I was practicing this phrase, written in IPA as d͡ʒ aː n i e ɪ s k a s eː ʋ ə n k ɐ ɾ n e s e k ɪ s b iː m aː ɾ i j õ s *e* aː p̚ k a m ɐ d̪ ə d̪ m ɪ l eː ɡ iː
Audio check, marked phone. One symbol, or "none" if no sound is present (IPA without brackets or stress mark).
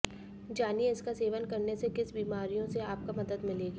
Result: e